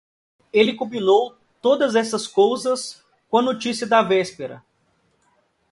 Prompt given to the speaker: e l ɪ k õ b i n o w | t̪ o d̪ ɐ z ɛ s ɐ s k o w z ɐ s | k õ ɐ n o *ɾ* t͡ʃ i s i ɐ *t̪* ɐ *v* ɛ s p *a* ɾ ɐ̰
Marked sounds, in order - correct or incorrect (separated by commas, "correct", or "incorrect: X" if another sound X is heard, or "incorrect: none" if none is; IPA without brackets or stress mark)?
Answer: incorrect: none, incorrect: d̪, correct, incorrect: e